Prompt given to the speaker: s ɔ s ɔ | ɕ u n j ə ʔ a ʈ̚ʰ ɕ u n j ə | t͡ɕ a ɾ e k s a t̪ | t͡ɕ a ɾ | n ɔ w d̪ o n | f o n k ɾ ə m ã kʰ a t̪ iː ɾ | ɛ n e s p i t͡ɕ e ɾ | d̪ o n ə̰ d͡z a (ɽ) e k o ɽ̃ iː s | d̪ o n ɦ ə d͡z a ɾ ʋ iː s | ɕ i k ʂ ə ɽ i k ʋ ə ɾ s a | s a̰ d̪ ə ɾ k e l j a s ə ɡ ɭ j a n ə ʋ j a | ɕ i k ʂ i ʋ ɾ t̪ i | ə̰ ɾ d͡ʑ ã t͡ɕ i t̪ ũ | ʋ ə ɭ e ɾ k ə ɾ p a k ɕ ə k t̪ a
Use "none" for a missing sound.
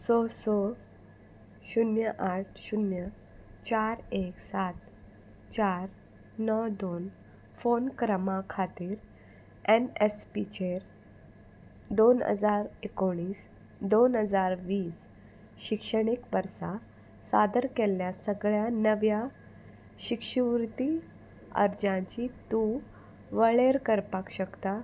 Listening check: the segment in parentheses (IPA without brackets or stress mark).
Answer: ɾ